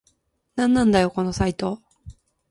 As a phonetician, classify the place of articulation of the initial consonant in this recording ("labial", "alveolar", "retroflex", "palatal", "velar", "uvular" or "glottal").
alveolar